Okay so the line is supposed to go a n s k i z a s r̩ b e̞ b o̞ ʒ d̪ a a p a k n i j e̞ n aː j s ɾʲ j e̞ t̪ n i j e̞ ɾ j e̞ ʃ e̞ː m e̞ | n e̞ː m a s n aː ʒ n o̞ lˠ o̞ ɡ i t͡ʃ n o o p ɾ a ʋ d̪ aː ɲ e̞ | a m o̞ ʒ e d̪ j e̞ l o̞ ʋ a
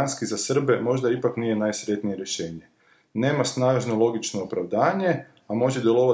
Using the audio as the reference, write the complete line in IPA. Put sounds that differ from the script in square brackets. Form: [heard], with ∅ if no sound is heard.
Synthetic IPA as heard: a n s k i z a s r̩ b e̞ [m] o̞ ʒ d̪ a [i] p a k n i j e̞ n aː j s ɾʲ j e̞ t̪ n i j e̞ ɾ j e̞ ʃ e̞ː [ɲ] e̞ | n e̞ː m a s n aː ʒ n o̞ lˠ o̞ ɡ i t͡ʃ n o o p ɾ a ʋ d̪ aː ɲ e̞ | a m o̞ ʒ e d̪ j e̞ l o̞ ʋ a